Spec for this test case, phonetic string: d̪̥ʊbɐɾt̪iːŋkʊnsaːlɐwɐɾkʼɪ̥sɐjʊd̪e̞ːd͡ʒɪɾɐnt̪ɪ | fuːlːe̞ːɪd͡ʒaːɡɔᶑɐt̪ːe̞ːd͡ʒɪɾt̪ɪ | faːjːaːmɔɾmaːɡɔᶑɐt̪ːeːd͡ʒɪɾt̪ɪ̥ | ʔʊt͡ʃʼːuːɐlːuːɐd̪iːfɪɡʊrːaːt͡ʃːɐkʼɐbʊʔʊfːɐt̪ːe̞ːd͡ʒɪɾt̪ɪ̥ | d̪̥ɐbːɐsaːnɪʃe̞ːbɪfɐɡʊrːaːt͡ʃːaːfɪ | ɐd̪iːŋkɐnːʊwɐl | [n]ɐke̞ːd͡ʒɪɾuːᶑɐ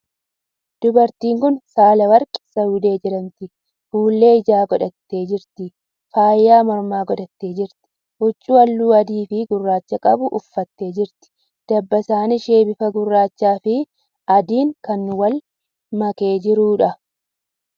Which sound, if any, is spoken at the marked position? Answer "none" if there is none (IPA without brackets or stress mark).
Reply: m